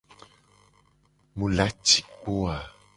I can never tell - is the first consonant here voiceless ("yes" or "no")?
no